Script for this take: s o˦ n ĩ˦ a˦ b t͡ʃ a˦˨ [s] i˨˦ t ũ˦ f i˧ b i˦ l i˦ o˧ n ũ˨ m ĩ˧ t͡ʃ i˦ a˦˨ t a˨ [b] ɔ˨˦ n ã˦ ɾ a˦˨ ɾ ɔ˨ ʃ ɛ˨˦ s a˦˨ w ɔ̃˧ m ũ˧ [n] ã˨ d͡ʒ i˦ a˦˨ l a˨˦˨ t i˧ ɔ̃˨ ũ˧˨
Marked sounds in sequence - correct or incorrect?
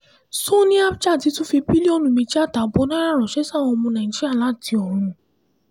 incorrect: t, correct, correct

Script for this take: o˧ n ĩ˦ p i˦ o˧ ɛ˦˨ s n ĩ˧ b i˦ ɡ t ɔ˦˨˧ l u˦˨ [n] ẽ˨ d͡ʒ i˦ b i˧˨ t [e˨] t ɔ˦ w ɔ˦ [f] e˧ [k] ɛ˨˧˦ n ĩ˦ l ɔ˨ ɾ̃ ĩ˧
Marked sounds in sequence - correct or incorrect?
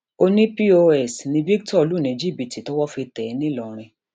correct, incorrect: i˨, correct, incorrect: t

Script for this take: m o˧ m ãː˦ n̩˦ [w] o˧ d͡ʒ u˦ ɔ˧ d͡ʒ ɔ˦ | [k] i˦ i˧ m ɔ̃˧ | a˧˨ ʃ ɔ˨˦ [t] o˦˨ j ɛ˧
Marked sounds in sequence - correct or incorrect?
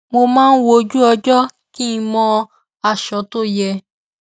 correct, correct, correct

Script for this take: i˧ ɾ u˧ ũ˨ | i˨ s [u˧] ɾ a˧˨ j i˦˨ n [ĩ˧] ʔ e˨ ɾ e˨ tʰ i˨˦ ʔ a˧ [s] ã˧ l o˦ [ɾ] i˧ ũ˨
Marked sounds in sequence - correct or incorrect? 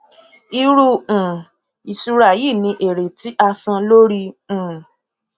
correct, correct, correct, correct

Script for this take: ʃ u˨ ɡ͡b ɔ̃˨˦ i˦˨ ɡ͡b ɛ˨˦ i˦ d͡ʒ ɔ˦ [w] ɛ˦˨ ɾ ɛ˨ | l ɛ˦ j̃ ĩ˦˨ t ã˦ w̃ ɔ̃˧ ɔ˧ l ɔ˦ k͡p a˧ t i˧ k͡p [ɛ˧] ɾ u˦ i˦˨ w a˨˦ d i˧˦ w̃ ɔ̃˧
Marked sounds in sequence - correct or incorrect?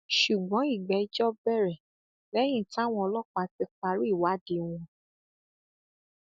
incorrect: b, incorrect: a˧

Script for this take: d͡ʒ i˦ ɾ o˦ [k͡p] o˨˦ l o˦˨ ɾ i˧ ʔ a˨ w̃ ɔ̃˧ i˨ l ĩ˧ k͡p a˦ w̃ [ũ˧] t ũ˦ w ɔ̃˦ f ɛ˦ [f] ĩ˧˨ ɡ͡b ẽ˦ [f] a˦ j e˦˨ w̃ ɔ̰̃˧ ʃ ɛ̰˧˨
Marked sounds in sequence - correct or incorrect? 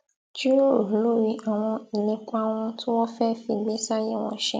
incorrect: none, incorrect: ɔ̃˧, correct, incorrect: s

